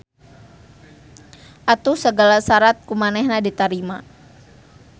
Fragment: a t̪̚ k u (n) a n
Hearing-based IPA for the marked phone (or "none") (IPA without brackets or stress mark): m